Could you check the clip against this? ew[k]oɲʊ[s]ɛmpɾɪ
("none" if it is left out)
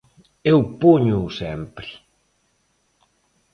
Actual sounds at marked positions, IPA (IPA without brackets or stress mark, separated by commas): p, s